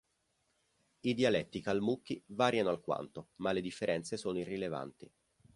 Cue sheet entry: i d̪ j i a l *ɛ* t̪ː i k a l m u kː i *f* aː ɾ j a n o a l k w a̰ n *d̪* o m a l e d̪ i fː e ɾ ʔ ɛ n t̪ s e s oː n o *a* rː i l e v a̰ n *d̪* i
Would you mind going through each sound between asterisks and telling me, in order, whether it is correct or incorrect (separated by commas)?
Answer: correct, incorrect, incorrect, incorrect, incorrect